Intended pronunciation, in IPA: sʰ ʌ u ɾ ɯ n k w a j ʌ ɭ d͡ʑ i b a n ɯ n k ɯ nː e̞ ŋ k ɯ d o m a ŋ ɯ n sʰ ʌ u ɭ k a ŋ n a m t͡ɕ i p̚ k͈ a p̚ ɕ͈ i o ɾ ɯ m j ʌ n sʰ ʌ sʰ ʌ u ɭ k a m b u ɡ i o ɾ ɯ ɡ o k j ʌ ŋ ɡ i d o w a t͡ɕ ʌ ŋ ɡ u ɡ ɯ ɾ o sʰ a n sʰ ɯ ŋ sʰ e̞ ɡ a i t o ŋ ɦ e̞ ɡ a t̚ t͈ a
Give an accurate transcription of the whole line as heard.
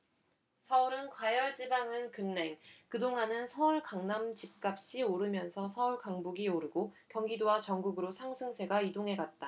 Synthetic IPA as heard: sʰ ʌ u ɾ ɯ n k w a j ʌ ɭ d͡ʑ i b a ŋ ɯ n k ɯ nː e̞ ŋ k ɯ d o ŋ a n ɯ n sʰ ʌ u ɭ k a ŋ n a m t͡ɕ i p̚ k͈ a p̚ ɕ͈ i o ɾ ɯ m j ʌ n sʰ ʌ sʰ ʌ u ɭ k a ŋ b u ɡ i o ɾ ɯ ɡ o k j ʌ ŋ ɡ i d o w a t͡ɕ ʌ ŋ ɡ u ɡ ɯ ɾ o sʰ a ŋ sʰ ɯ ŋ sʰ e̞ ɡ a i d o ŋ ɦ e̞ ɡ a t̚ t͈ a